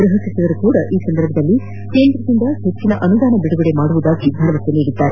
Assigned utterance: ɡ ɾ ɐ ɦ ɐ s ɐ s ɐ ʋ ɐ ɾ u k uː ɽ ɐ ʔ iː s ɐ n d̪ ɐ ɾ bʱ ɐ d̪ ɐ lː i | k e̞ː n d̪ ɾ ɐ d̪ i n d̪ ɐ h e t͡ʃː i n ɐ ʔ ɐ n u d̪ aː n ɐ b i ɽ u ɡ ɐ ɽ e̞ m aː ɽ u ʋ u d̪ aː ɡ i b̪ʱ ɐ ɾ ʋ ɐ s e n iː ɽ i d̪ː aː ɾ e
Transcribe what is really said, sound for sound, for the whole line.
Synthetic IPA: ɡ ɾ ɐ ɦ ɐ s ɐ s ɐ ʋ ɐ ɾ u k uː ɽ ɐ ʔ iː s ɐ n d̪ ɐ ɾ bʱ ɐ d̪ ɐ lː i | k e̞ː n d̪ ɾ ɐ d̪ i n d̪ ɐ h e t͡ʃː i n ɐ ʔ ɐ n u d̪ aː n ɐ b i ɽ u ɡ ɐ ɽ e̞ m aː ɽ u ʋ u d̪ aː ɡ i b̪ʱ ɐ ɾ ʋ ɐ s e n iː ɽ i d̪ː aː ɾ e